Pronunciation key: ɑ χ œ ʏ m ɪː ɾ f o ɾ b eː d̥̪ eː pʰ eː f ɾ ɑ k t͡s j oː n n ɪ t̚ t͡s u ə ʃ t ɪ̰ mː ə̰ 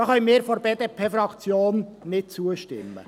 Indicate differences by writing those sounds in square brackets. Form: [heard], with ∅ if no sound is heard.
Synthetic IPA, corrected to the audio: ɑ χ œ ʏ m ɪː ɾ f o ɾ b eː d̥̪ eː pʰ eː f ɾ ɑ k t͡s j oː n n ɪ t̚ t͡s u ə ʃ t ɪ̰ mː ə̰

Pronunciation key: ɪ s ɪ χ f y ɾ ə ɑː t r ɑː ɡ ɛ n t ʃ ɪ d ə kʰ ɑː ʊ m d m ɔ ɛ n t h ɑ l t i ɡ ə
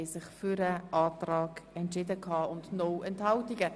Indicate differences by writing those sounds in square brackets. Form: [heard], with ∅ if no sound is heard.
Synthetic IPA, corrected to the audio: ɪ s ɪ χ f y ɾ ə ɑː t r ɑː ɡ ɛ n t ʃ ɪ d ə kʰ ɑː ʊ [n] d [n] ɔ ɛ n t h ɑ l t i ɡ ə

